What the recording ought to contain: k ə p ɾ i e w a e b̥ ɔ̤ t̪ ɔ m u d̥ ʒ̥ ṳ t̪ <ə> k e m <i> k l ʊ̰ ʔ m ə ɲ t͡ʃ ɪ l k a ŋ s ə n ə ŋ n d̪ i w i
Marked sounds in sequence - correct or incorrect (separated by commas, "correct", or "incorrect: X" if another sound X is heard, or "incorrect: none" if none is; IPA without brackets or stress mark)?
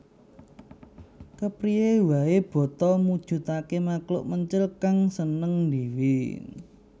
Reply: incorrect: a, incorrect: a